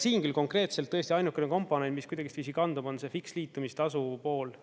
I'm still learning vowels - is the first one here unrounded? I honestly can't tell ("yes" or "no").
yes